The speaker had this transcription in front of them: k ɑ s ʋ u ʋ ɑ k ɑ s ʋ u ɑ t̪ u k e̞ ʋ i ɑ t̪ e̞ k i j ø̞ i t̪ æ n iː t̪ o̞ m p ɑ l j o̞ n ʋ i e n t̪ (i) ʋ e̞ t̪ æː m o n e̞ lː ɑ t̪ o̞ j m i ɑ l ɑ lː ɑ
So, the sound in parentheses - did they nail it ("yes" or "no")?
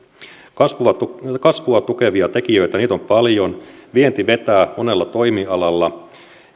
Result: yes